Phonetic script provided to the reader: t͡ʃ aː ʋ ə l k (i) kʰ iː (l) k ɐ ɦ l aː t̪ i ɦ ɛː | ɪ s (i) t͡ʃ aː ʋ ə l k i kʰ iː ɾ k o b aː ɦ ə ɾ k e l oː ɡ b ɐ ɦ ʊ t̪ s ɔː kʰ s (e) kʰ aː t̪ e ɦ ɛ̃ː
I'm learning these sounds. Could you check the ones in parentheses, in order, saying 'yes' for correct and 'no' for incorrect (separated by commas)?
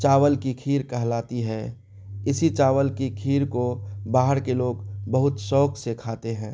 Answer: yes, no, yes, yes